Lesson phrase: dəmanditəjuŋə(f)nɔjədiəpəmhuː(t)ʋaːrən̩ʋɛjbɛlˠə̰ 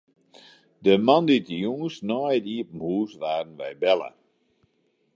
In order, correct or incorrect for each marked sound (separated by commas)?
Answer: incorrect, incorrect